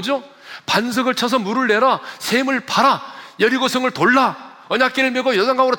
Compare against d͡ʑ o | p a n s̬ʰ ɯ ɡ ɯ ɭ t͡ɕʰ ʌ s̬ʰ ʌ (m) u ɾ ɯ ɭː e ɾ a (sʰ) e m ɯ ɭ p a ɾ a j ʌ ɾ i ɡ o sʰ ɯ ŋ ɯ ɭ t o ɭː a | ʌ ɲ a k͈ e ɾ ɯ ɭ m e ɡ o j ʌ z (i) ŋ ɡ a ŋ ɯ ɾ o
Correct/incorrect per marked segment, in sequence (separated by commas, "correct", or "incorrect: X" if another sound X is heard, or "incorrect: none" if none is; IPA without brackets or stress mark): correct, correct, incorrect: a